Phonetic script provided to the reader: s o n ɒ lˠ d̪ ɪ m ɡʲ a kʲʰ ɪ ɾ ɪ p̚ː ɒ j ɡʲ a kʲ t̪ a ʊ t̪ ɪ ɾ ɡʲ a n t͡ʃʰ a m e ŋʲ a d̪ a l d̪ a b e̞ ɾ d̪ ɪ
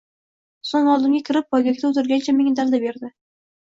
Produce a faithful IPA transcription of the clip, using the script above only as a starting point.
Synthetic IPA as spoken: s o ŋ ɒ lˠ d̪ ɪ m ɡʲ a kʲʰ ɪ ɾ ɪ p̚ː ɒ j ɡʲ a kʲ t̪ a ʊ t̪ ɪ ɾ ɡʲ a n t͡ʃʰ a m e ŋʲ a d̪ a l d̪ a b e̞ ɾ d̪ ɪ